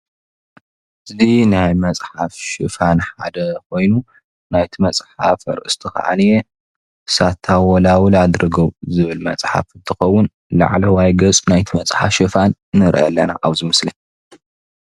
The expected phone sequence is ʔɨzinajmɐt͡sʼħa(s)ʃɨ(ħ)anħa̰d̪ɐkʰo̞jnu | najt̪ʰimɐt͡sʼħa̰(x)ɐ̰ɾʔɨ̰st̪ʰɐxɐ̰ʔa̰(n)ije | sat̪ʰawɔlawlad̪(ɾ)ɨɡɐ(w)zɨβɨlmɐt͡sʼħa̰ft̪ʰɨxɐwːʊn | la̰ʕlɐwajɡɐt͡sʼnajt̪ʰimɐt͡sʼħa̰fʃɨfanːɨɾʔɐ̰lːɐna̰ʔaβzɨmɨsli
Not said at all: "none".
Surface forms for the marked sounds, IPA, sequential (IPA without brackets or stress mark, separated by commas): f, f, f, n, ɾ, w